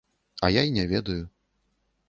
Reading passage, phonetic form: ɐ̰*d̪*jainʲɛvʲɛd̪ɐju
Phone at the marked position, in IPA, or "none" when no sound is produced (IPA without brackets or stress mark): none